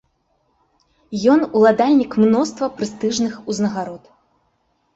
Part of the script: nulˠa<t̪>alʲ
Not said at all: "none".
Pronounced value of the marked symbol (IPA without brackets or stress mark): d̪